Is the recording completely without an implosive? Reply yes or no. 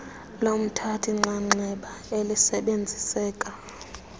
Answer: no